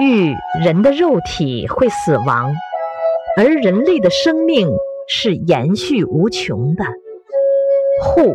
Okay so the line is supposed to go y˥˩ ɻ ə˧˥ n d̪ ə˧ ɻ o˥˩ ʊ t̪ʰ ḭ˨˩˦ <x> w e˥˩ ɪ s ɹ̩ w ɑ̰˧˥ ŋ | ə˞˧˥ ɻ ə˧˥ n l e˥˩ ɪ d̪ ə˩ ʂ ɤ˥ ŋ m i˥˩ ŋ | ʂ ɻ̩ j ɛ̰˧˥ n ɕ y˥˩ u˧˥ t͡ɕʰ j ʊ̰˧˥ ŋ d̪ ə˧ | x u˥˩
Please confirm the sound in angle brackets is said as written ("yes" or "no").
yes